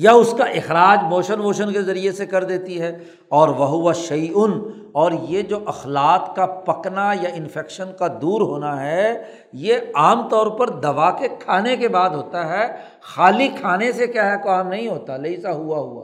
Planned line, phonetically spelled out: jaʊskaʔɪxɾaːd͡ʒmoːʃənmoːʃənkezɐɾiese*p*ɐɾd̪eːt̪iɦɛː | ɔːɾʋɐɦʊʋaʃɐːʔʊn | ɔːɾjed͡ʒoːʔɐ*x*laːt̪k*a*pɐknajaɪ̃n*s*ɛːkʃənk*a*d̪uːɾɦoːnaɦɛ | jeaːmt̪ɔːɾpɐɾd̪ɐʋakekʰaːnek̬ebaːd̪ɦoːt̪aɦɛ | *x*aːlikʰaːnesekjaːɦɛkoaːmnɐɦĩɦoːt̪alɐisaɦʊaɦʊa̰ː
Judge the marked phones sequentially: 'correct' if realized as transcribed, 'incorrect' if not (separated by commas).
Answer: incorrect, correct, correct, incorrect, correct, correct